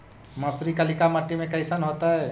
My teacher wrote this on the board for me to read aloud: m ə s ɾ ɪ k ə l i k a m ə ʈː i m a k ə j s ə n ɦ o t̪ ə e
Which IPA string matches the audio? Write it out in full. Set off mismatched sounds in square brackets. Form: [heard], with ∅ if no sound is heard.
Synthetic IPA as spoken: m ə s ɾ [i] k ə l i k a m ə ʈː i m [e] k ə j s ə n ɦ o t̪ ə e